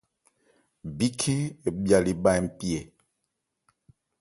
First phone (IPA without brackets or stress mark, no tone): b